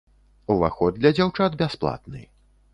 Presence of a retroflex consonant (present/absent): present